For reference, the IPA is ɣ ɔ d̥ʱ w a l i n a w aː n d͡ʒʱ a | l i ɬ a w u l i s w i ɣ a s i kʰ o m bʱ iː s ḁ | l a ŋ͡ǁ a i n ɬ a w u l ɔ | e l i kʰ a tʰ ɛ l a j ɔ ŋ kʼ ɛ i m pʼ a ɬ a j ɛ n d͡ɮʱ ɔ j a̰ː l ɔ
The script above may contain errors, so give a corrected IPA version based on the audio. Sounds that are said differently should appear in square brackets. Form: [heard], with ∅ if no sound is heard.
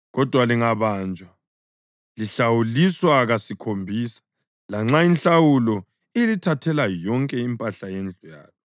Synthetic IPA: ɣ ɔ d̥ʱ w a l i [ŋ] a [β] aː n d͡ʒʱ a | l i ɬ a w u l i s w [a] ɣ a s i kʰ o m bʱ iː s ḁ | l a ŋ͡ǁ a i n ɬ a w u l ɔ | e l i [tʰ] a tʰ ɛ l a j ɔ ŋ kʼ ɛ i m pʼ a ɬ a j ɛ n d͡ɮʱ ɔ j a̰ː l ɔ